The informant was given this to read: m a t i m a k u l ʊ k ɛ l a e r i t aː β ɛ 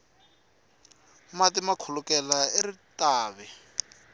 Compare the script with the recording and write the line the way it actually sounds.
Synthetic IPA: m a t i m a kʰ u l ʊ k ɛ l a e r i t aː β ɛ